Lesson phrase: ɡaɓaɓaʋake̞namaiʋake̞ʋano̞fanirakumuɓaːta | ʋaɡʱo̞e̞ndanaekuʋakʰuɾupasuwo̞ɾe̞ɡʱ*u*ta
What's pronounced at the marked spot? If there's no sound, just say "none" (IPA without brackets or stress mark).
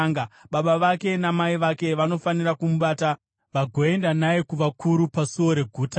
uː